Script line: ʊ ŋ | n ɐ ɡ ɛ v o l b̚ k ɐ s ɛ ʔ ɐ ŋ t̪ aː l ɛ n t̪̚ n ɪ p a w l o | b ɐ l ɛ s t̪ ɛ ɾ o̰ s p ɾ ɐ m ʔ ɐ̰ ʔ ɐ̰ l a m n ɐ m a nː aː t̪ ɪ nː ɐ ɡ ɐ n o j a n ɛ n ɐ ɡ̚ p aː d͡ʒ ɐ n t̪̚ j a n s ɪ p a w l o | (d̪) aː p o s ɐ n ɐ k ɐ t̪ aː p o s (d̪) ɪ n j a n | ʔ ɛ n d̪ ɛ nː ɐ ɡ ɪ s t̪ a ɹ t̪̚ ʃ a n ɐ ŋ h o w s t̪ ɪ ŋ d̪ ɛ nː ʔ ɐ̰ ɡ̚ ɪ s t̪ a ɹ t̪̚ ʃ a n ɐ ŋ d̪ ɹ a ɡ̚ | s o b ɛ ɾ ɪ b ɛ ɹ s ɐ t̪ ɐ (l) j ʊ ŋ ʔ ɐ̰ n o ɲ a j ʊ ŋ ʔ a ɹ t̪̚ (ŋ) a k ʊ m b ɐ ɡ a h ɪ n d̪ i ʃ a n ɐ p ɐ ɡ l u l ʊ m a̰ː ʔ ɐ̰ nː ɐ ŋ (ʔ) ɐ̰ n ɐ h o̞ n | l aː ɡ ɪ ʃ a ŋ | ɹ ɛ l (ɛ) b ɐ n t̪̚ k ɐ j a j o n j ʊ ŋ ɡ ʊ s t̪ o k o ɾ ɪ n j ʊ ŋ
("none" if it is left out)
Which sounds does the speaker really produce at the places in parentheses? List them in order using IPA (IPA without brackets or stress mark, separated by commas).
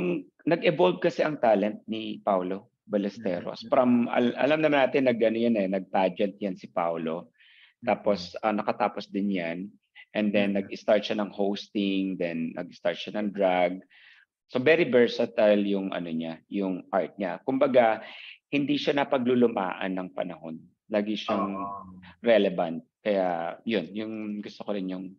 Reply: t̪, d̪, l, ɲ, p, ɛ